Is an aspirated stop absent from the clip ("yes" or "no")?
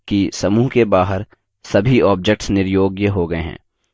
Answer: yes